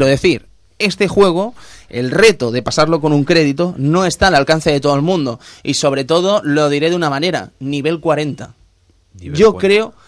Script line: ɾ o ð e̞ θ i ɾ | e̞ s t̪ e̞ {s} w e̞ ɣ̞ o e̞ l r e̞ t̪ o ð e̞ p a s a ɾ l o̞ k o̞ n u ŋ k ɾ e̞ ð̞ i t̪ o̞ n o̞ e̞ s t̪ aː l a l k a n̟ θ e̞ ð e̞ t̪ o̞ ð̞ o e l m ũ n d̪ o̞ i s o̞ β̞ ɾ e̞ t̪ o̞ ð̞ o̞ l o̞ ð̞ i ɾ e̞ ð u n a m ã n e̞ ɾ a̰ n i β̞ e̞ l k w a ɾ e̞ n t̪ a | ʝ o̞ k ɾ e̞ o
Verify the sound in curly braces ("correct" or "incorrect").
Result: incorrect